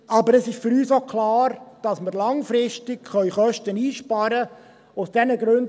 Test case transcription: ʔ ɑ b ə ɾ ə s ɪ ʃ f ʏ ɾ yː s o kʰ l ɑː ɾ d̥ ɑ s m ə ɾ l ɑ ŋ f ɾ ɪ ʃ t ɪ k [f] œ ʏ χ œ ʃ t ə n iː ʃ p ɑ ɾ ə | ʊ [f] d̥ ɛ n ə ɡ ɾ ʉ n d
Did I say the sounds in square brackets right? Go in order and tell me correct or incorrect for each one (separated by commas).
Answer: incorrect, incorrect